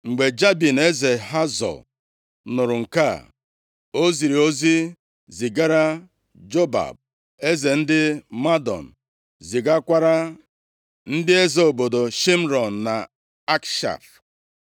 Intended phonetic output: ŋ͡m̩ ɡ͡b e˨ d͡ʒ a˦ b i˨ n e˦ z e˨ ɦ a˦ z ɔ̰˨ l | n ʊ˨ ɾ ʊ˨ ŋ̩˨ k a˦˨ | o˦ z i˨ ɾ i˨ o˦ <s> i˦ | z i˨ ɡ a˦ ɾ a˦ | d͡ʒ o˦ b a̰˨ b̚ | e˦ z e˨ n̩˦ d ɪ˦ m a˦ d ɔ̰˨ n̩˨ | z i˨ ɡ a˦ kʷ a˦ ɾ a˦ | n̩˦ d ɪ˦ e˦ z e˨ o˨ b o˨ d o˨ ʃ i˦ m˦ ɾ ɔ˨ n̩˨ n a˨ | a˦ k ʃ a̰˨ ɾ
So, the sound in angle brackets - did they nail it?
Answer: no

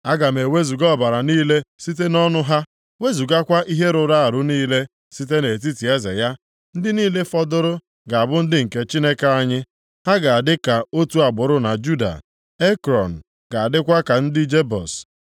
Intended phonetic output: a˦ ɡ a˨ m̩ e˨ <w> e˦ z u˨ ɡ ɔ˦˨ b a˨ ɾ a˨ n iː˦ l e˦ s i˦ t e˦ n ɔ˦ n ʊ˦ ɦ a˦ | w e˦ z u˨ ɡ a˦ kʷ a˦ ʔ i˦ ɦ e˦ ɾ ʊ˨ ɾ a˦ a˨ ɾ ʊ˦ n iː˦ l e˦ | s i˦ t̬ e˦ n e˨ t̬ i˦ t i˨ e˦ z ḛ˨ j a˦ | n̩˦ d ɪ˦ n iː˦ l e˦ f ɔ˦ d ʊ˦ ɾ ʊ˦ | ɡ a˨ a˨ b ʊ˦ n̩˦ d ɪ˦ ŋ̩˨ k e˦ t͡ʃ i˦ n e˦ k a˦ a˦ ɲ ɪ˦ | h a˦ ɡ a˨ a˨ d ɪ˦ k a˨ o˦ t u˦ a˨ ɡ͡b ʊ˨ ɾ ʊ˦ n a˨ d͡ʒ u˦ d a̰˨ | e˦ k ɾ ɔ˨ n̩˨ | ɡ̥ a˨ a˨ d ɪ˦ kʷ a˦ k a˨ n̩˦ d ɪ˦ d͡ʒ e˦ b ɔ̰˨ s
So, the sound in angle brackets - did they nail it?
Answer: yes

